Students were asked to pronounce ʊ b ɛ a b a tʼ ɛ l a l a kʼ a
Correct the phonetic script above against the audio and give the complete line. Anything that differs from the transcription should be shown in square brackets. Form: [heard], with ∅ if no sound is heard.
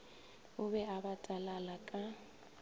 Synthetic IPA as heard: ʊ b ɛ a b a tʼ [a] l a l a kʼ a